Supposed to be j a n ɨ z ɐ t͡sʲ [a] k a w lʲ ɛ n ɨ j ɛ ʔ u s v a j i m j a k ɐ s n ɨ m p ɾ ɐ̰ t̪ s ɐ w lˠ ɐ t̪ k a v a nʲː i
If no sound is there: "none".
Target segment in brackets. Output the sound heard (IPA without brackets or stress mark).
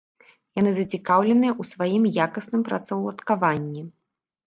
i